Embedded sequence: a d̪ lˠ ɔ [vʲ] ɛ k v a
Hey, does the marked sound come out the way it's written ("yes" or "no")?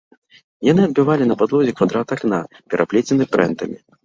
no